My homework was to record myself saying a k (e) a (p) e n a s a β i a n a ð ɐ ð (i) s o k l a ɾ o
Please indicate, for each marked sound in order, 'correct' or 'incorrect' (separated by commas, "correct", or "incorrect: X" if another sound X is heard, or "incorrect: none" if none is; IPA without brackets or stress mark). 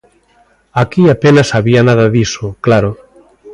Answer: incorrect: i, correct, correct